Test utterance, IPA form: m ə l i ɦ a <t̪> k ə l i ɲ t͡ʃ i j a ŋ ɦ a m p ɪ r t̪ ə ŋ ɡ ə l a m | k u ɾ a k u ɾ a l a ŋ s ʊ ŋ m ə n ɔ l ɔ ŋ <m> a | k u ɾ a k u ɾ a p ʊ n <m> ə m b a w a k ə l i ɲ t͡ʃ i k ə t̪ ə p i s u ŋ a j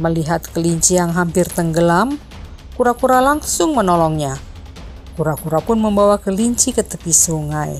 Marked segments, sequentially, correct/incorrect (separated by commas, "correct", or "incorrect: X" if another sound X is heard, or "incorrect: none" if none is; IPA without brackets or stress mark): correct, incorrect: ɲ, correct